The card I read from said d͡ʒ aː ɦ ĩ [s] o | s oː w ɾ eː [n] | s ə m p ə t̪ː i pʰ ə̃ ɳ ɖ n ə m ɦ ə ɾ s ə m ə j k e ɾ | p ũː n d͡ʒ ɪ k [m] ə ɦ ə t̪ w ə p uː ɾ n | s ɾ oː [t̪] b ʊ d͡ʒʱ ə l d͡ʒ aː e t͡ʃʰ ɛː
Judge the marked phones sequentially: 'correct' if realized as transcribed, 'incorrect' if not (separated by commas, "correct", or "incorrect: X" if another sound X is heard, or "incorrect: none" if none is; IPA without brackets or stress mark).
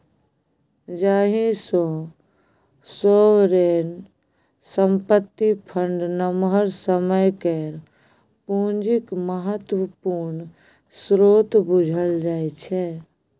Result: correct, correct, correct, correct